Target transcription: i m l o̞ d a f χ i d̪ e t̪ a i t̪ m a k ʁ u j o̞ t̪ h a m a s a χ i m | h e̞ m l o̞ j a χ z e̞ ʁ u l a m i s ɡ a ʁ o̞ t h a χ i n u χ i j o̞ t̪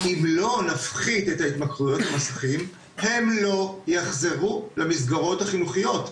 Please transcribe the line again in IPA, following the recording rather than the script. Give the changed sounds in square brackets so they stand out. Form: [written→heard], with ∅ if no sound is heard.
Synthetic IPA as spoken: i m l o̞ [d→n] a f χ i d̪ e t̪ a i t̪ m a k ʁ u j o̞ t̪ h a m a s a χ i m | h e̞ m l o̞ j a χ z e̞ ʁ u l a m i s ɡ a ʁ o̞ t h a χ i n u χ i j o̞ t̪